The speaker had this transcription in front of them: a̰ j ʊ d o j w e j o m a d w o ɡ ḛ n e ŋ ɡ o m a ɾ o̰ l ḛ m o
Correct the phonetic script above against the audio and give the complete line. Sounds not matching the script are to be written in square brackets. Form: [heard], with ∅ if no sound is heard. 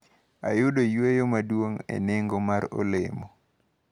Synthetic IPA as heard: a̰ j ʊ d o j w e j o m a d w o [ŋ] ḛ n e ŋ ɡ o m a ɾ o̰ l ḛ m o